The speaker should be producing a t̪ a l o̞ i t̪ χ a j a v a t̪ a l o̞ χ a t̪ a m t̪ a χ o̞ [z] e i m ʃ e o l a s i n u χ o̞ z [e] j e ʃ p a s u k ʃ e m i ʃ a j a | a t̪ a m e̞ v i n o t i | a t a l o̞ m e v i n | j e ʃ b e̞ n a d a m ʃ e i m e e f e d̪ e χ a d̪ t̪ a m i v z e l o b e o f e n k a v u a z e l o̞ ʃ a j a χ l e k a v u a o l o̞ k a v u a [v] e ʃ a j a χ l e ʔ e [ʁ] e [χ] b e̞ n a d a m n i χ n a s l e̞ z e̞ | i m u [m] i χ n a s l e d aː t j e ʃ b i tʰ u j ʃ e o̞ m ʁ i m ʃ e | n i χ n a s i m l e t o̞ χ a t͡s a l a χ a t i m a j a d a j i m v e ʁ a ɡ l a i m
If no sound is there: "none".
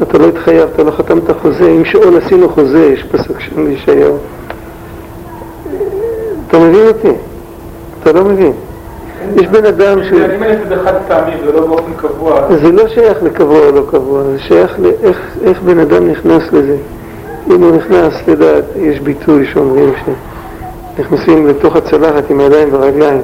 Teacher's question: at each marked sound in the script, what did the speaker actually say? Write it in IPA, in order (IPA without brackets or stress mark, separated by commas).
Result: z, e, z, χ, χ, n